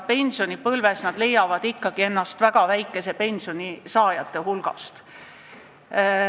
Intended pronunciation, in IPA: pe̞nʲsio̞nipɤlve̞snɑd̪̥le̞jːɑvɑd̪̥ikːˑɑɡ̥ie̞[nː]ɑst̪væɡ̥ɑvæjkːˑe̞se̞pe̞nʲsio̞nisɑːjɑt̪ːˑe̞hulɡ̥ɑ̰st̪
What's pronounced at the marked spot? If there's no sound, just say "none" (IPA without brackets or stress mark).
nː